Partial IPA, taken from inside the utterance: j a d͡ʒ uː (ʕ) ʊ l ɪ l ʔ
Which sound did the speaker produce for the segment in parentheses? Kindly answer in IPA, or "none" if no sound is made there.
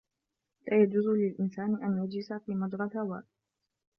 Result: z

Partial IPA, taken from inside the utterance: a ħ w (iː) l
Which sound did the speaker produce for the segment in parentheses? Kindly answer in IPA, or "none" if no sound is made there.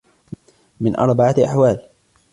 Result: aː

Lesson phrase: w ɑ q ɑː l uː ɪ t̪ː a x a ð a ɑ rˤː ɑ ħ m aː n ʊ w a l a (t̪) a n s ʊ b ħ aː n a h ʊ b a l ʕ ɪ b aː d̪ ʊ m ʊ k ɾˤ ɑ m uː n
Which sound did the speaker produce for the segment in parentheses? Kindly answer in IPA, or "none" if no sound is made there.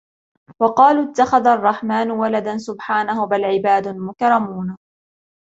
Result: d̪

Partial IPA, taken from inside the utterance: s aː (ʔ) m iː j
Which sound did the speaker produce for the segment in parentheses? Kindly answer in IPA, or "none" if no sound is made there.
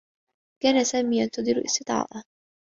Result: none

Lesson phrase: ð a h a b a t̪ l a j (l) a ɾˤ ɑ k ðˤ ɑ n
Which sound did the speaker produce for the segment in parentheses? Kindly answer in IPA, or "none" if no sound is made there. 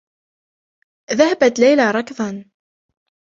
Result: l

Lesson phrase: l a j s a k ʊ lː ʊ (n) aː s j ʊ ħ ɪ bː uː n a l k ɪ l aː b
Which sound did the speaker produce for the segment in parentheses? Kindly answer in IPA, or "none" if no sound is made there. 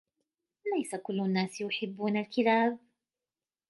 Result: nː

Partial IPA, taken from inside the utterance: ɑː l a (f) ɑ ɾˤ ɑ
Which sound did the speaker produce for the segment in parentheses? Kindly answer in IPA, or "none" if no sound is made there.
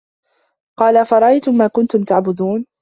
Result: f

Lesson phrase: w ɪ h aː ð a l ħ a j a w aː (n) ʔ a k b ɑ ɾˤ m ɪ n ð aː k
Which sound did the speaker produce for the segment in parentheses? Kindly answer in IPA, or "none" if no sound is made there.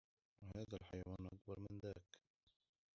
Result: n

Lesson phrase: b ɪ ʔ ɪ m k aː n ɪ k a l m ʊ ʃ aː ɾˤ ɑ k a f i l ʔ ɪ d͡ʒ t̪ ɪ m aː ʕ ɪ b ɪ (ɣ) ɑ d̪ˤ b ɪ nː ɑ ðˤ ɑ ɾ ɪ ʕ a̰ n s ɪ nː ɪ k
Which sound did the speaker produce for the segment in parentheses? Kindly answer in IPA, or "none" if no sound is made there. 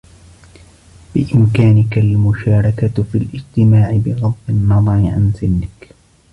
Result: ɣ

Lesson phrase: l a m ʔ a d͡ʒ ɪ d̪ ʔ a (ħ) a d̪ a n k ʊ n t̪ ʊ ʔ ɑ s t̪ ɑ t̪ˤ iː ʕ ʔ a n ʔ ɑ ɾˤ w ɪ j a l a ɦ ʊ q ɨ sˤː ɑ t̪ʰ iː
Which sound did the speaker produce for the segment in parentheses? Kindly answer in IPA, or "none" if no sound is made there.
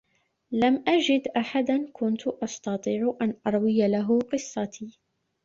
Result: ħ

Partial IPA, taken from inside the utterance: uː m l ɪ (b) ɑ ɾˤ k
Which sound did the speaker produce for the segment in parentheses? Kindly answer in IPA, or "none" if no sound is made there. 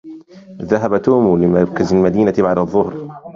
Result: m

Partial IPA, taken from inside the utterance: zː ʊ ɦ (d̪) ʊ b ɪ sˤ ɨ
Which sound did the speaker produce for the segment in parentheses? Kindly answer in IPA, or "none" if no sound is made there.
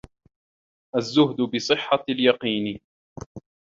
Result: d̪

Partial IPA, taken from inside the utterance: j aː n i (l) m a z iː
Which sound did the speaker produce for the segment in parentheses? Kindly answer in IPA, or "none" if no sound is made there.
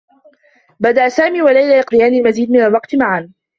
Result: l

